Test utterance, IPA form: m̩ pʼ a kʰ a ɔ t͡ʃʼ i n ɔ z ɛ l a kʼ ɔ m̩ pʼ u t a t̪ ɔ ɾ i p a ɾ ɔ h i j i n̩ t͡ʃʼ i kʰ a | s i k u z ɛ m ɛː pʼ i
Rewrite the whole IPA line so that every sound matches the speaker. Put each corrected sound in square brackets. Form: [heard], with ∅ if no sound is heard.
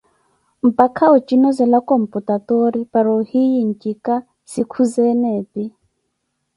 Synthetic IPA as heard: m̩ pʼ a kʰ a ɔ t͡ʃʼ i n ɔ z ɛ l a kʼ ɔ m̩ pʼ u t a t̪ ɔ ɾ i p a ɾ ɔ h i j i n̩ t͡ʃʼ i [k] a | s i [kʰ] u z ɛ [n] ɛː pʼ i